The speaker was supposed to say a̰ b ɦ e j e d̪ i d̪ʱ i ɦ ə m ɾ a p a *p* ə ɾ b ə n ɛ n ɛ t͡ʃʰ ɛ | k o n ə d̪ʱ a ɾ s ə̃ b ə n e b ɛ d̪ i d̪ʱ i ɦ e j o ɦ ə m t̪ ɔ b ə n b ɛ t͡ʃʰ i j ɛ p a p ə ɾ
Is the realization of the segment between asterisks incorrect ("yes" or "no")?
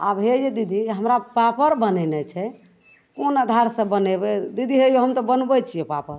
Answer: no